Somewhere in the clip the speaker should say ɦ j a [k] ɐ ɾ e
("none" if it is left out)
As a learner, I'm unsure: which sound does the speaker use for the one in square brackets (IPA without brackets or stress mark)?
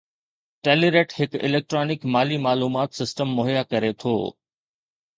k